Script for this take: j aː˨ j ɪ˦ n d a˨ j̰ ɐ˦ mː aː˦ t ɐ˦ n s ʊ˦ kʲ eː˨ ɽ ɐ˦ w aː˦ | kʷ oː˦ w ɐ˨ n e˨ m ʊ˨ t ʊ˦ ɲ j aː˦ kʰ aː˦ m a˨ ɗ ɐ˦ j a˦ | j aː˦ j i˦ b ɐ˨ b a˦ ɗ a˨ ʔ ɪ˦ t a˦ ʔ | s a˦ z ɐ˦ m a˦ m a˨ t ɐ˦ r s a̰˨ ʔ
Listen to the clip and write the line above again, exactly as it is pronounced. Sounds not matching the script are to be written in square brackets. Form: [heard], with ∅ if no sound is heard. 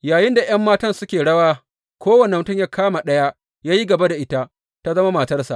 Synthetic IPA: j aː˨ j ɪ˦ n d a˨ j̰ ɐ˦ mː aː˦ t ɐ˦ n s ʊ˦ kʲ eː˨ ɽ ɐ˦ w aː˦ | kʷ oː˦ w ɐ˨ n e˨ m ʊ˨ t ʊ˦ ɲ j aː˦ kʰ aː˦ m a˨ ɗ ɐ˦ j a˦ | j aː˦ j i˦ [ɡ] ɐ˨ b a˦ [d] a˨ ʔ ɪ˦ t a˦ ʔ | [t] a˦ z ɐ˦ m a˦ m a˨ t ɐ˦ r s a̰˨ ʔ